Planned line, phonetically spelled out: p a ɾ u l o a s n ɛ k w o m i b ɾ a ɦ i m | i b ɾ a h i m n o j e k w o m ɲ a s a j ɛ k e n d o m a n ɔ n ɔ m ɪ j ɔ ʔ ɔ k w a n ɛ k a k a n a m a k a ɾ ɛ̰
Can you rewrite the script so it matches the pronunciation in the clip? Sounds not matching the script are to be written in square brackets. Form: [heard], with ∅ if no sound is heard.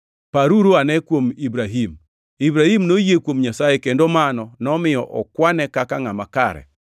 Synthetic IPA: p a ɾ u [ɾ] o a [∅] n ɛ k w o m i b ɾ a ɦ i m | i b ɾ a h i m n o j e k w o m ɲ a s a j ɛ k e n d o m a n ɔ n ɔ m ɪ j ɔ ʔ ɔ k w a n ɛ k a k a [ŋ] a m a k a ɾ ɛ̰